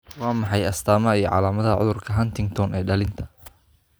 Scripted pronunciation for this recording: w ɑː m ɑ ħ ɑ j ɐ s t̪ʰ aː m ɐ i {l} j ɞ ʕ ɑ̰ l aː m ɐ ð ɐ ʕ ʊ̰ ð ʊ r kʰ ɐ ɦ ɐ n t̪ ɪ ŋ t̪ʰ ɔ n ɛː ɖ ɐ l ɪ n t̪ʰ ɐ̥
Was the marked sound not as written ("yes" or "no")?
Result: yes